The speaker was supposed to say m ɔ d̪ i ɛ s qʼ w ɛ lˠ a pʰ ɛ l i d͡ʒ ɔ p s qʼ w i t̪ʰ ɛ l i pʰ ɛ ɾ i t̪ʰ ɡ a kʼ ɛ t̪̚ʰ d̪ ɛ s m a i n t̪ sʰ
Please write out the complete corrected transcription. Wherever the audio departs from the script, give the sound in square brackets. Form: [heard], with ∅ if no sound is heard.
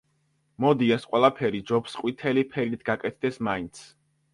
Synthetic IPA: m ɔ d̪ i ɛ s qʼ w ɛ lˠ a pʰ ɛ [ɾ] i d͡ʒ ɔ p s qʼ w i t̪ʰ ɛ l i pʰ ɛ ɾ i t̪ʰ ɡ a kʼ ɛ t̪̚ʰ d̪ ɛ s m a i n t̪ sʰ